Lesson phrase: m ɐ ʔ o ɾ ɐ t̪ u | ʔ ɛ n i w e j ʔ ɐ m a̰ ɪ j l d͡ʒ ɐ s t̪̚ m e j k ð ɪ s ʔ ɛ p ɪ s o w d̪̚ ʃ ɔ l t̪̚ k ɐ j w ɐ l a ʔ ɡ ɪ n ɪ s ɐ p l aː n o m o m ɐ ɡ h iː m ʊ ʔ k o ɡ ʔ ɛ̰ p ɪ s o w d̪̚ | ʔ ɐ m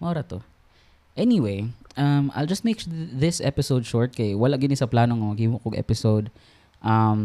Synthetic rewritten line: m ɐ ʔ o ɾ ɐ t̪ o | ʔ ɛ n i w e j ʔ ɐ m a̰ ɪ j l d͡ʒ ɐ s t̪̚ m e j k ð ɪ s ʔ ɛ p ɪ s o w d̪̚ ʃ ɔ ɹ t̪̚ k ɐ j w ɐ l a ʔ ɡ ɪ n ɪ s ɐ p l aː n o ŋ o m ɐ ɡ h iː m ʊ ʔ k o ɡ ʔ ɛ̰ p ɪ s o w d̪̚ | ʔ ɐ m